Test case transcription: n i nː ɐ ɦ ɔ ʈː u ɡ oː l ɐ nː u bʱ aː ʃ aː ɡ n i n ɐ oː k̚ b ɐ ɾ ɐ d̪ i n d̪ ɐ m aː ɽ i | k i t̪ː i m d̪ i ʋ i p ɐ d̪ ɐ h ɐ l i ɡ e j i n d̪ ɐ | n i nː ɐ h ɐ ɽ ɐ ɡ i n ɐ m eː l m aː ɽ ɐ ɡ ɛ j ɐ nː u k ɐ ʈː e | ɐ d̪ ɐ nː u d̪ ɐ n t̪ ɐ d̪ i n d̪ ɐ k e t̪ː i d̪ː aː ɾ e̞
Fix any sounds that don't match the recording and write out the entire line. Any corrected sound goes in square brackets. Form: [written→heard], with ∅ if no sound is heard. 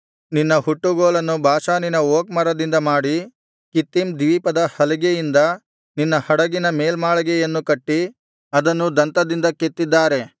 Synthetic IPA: n i nː ɐ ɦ [ɔ→u] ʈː u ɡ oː l ɐ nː u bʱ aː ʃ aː [ɡ→∅] n i n ɐ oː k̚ [b→m] ɐ ɾ ɐ d̪ i n d̪ ɐ m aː ɽ i | k i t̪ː i m d̪ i ʋ i p ɐ d̪ ɐ h ɐ l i ɡ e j i n d̪ ɐ | n i nː ɐ h ɐ ɽ ɐ ɡ i n ɐ m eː l m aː [ɽ→ɭ] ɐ ɡ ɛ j ɐ nː u k ɐ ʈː [e→i] | ɐ d̪ ɐ nː u d̪ ɐ n t̪ ɐ d̪ i n d̪ ɐ k e t̪ː i d̪ː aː ɾ e̞